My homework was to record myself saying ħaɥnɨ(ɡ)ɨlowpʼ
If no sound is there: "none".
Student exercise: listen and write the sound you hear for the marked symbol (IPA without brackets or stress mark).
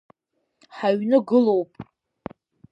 ɡ